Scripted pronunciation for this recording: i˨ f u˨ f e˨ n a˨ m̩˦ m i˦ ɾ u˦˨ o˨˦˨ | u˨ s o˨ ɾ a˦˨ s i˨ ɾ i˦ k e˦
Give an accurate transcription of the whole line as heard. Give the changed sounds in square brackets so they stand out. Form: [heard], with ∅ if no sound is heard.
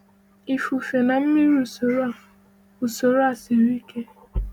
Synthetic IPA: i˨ f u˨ f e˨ n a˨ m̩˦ m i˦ ɾ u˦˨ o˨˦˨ | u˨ s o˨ ɾ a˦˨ s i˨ ɾ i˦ k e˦